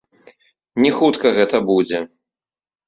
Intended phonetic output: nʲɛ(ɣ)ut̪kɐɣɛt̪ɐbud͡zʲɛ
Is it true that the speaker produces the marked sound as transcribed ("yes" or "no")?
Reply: no